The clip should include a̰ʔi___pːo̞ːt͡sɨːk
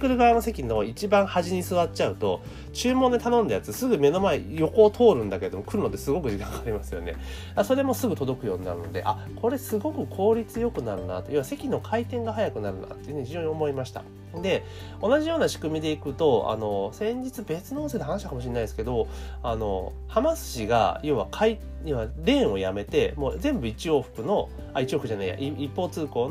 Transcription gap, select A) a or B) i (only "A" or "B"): B